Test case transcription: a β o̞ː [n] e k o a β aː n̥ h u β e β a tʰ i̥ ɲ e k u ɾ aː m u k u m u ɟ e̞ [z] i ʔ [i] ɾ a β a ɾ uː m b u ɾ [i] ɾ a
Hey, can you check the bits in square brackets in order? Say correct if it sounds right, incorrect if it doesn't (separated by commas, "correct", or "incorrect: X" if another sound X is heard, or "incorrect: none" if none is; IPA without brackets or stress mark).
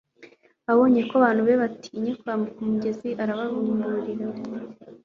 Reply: incorrect: ɲ, correct, incorrect: a, correct